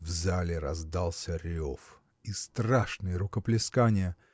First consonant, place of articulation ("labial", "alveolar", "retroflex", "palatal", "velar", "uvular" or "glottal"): labial